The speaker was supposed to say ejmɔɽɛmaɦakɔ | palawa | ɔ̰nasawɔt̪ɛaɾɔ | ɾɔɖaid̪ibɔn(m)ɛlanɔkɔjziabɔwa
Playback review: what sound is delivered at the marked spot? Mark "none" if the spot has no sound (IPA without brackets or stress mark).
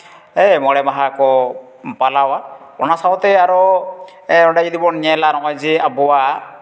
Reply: ɲ